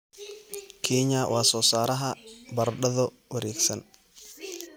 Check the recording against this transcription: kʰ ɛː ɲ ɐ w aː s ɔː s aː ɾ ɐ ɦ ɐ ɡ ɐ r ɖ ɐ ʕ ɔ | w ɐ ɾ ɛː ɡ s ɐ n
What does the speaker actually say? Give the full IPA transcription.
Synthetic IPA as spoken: kʰ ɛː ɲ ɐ w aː s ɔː s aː ɾ ɐ ɦ ɐ b ɐ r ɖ ɐ ð ɔ | w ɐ ɾ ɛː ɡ s ɐ n